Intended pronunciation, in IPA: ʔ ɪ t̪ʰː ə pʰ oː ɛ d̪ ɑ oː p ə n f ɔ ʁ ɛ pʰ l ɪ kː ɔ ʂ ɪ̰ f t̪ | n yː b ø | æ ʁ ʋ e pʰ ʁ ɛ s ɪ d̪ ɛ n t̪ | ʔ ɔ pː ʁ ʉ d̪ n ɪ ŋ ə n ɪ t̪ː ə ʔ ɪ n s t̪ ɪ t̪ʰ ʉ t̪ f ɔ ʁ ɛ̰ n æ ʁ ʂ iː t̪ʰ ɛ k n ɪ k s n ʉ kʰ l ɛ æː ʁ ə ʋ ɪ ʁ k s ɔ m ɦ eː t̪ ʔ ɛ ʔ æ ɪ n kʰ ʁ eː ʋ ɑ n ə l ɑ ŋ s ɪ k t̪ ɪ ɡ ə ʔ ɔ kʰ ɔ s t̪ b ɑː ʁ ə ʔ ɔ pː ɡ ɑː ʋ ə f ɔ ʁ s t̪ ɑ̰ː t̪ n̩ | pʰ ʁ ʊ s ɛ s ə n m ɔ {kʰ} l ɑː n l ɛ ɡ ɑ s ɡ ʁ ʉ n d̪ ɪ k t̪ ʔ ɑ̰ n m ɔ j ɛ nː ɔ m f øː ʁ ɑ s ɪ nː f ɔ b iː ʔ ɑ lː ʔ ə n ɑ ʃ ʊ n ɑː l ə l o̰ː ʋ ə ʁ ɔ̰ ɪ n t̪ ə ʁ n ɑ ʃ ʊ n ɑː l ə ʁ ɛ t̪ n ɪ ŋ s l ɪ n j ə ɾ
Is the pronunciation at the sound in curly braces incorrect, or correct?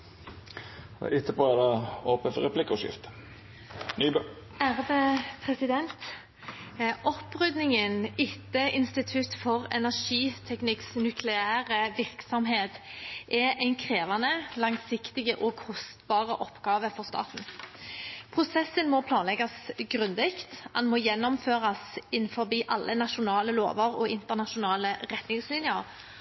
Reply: incorrect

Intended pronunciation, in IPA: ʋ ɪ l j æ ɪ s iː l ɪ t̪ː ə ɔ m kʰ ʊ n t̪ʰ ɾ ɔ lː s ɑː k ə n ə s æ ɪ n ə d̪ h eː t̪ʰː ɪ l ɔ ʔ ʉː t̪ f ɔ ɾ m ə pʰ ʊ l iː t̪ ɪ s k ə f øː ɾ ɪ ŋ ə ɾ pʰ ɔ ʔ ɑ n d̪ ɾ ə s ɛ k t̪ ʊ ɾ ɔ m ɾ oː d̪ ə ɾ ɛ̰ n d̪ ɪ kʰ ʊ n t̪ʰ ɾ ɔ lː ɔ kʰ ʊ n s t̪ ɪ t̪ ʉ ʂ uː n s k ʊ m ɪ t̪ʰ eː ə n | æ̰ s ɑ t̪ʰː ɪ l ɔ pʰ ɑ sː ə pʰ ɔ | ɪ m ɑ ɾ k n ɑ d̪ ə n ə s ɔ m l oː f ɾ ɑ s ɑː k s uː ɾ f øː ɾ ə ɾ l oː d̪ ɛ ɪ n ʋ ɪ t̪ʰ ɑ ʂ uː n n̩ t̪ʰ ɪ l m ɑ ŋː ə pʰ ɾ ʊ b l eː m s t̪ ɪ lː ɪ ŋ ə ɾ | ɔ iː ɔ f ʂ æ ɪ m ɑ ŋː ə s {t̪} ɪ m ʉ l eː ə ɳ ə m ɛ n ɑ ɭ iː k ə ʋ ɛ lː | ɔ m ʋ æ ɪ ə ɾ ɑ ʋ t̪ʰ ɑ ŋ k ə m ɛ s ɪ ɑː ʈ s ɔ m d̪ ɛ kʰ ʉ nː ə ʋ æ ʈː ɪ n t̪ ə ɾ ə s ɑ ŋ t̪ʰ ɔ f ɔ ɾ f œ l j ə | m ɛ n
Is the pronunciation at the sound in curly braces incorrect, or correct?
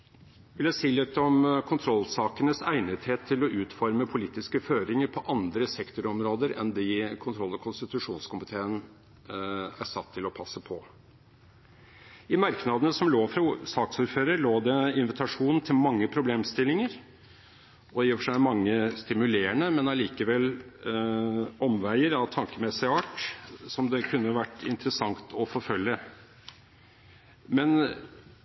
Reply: correct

